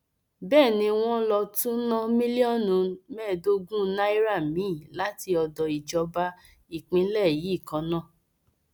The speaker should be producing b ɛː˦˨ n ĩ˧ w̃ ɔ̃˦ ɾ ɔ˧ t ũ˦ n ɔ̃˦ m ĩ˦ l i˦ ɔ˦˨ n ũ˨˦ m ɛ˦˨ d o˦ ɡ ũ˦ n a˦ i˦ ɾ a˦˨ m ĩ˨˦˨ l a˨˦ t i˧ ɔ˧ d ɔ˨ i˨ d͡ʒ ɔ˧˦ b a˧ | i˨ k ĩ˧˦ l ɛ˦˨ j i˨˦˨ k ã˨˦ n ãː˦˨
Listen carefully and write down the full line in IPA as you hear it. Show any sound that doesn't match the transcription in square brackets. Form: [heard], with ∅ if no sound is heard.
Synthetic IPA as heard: b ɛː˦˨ n ĩ˧ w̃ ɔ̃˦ [l] ɔ˧ t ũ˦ n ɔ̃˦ m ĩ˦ l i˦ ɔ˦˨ n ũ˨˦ m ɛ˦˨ d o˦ ɡ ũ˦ n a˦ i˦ ɾ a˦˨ m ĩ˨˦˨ l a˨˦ t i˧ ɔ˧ d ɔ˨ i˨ d͡ʒ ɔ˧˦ b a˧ | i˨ [k͡p] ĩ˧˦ l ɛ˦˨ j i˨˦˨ k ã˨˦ n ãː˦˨